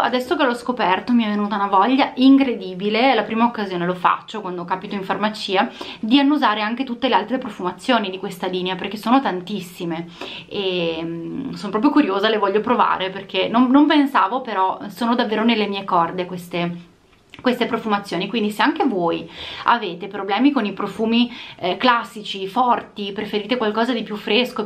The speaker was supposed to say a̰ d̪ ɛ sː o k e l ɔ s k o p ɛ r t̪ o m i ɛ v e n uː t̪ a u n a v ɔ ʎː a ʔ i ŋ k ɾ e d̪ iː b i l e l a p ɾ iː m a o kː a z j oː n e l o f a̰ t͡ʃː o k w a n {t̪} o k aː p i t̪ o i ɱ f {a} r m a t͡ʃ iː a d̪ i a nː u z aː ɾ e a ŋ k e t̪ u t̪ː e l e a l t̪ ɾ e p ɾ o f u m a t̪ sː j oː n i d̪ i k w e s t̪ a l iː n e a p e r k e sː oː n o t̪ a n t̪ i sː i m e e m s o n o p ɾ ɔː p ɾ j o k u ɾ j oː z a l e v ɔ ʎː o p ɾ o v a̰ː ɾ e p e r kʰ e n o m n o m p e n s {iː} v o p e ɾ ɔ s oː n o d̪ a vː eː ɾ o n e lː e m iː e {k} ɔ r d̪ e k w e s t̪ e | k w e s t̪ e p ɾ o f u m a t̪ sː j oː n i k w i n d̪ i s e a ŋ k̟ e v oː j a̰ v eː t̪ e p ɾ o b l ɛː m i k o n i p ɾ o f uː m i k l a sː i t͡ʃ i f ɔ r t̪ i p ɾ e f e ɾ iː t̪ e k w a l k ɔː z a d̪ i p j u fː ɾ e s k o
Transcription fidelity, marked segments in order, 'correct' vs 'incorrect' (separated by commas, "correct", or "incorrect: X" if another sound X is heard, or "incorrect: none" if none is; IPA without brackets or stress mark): incorrect: d̪, correct, incorrect: aː, correct